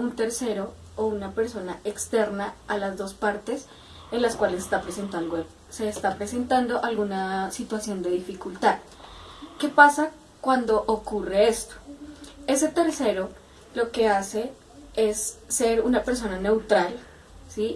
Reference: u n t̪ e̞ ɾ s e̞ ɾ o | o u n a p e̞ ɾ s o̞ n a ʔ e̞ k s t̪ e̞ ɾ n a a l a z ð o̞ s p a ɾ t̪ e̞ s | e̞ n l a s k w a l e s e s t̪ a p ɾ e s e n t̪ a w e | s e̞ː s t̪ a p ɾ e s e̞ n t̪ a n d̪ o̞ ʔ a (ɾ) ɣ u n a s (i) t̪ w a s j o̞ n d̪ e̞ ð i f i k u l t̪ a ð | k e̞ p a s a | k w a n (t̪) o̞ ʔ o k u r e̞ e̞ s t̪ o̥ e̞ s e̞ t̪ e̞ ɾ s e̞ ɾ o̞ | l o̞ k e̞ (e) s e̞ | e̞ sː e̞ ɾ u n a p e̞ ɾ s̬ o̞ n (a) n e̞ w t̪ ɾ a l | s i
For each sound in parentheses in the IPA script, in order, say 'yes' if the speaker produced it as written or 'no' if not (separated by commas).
no, yes, no, no, yes